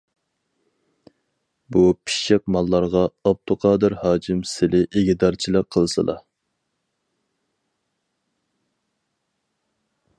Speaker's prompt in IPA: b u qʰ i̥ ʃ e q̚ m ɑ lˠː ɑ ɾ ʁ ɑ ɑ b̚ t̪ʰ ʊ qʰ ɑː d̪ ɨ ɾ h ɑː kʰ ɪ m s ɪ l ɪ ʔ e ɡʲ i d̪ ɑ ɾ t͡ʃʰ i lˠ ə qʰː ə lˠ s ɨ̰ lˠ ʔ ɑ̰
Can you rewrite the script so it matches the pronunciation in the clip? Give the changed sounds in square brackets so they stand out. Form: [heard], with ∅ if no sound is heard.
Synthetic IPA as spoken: b u [pʰ] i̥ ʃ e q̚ m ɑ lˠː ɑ ɾ ʁ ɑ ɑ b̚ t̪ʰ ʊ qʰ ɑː d̪ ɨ ɾ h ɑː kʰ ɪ m s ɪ l ɪ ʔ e ɡʲ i d̪ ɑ ɾ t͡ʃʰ i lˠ ə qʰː ə lˠ s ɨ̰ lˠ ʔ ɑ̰